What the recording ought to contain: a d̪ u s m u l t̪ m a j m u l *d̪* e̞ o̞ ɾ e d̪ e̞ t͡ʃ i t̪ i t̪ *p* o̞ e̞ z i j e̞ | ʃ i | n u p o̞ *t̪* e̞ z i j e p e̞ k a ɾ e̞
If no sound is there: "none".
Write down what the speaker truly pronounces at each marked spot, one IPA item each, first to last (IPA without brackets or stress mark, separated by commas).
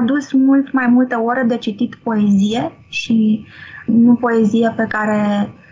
t̪, p, none